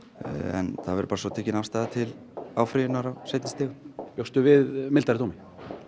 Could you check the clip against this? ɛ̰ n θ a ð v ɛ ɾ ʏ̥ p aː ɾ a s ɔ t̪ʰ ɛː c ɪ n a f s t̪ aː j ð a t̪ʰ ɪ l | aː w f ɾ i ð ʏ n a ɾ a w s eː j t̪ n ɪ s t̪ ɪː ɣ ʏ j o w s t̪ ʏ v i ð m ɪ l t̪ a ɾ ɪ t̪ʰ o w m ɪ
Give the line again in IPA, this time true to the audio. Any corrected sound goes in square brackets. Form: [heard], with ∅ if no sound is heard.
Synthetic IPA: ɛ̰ n θ a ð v ɛ ɾ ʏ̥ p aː ɾ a s ɔ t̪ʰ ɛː c ɪ n a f s t̪ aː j ð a t̪ʰ ɪ l | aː w f ɾ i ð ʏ n a ɾ a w s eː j t̪ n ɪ s t̪ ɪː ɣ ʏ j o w s t̪ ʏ v [ɪ] ð m ɪ l t̪ a ɾ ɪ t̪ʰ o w m ɪ